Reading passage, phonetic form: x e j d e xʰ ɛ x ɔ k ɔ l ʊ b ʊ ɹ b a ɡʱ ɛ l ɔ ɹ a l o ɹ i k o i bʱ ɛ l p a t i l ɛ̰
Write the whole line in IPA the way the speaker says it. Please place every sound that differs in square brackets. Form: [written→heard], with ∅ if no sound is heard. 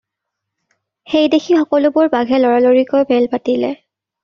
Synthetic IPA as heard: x e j d e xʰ [ɛ→i] x ɔ k ɔ l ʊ b ʊ ɹ b a ɡʱ ɛ l ɔ ɹ a l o ɹ i k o [i→j] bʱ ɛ l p a t i l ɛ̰